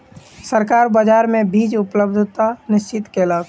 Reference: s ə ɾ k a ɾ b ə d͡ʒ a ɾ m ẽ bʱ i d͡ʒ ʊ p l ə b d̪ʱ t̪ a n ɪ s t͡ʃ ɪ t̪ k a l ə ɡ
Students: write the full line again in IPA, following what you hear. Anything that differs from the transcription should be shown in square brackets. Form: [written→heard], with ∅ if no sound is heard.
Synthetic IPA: s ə ɾ k a ɾ b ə d͡ʒ a ɾ m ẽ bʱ i d͡ʒ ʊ p l ə b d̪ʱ t̪ a n ɪ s t͡ʃ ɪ t̪ k [a→e] l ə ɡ